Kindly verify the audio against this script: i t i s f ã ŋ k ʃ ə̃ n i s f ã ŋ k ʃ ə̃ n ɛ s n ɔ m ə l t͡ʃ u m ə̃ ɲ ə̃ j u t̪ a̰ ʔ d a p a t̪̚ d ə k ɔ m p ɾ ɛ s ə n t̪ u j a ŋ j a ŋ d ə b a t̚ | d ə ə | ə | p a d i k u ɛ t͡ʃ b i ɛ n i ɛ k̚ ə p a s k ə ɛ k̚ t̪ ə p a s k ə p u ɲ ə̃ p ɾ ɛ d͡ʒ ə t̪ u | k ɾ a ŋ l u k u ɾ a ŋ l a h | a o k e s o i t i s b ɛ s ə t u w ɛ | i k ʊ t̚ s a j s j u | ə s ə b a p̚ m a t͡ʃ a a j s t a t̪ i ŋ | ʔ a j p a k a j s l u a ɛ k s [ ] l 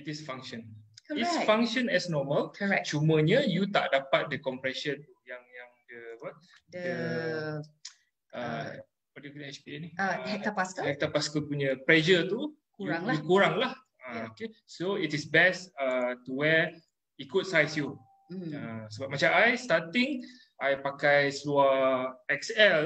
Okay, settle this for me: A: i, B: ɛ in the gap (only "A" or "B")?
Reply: B